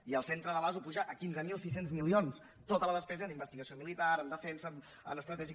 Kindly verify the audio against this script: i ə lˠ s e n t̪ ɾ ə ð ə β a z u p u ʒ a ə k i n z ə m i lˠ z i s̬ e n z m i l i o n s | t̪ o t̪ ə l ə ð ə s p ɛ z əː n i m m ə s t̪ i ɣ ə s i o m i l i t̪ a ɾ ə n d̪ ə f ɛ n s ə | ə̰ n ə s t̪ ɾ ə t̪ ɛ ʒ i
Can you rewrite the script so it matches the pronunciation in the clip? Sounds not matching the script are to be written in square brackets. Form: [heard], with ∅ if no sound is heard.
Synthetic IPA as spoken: i ə lˠ s e n t̪ ɾ ə ð ə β a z u p u ʒ a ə k i n z ə m i lˠ [s] i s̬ e n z m i l i o n s | t̪ o t̪ ə l ə ð ə s p ɛ z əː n i m [b] ə s t̪ i ɣ ə s i o m i l i t̪ a ɾ ə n d̪ ə f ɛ n s ə | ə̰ n ə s t̪ ɾ ə t̪ ɛ ʒ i